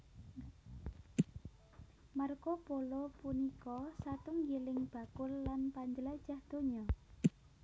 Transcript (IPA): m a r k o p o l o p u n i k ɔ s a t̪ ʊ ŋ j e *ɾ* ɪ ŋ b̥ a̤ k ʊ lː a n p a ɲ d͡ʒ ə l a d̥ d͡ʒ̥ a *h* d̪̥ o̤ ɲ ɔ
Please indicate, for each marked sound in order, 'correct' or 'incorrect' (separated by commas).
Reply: incorrect, correct